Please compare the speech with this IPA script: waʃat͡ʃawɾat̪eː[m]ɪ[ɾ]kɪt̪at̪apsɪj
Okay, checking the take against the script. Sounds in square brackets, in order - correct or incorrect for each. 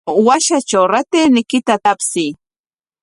incorrect, incorrect

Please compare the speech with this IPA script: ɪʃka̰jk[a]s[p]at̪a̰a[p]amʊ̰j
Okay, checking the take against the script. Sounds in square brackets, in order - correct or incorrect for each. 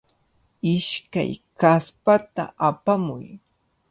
correct, correct, correct

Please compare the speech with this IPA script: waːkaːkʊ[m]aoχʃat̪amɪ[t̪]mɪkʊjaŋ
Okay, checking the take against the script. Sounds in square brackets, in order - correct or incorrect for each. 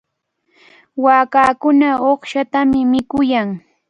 incorrect, incorrect

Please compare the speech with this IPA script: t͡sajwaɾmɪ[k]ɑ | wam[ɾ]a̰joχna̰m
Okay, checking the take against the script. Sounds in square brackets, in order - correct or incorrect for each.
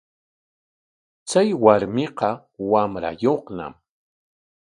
incorrect, correct

